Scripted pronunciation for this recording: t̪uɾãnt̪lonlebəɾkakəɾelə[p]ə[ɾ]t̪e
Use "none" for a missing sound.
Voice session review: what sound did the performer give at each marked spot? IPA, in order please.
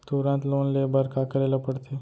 p, ɽ

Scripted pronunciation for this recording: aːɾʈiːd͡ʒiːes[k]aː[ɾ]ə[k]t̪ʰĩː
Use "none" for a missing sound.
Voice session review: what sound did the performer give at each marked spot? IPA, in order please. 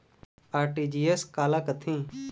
k, l, k

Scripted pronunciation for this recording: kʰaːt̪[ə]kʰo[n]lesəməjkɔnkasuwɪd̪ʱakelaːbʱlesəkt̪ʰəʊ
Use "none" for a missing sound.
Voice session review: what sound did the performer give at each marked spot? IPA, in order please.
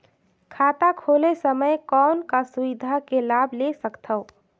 a, none

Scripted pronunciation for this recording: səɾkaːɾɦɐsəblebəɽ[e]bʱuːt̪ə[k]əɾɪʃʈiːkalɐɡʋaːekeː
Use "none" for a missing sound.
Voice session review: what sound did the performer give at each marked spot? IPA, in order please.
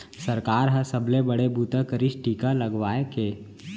e, k

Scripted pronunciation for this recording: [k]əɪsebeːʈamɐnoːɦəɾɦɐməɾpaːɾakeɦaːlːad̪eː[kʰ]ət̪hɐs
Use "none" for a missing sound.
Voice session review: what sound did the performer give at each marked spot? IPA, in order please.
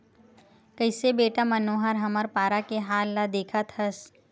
k, kʰ

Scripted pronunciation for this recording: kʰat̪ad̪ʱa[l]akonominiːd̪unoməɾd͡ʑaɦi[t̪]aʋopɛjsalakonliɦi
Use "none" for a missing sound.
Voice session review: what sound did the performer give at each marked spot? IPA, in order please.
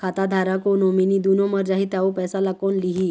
ɾ, t̪

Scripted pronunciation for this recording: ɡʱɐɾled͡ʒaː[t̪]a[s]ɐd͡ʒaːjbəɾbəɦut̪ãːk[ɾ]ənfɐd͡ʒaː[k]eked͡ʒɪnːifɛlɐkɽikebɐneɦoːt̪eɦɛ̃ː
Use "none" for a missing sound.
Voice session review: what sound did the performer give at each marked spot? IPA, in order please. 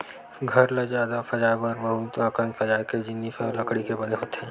d̪, f, ɾ, none

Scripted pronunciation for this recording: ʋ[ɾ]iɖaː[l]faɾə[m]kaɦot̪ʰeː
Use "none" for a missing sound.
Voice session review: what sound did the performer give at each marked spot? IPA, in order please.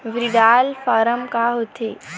ɾ, l, m

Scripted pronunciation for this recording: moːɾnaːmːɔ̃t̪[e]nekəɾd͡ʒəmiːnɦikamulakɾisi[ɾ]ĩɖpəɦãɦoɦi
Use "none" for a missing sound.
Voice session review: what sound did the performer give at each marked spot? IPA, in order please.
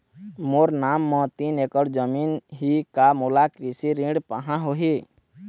i, ɾ

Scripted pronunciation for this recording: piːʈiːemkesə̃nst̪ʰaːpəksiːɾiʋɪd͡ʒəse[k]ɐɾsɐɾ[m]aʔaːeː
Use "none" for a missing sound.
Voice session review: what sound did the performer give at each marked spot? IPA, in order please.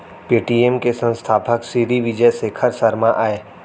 kʰ, m

